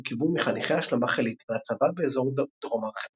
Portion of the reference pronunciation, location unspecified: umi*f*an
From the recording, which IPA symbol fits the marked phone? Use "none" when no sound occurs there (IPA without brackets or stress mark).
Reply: χ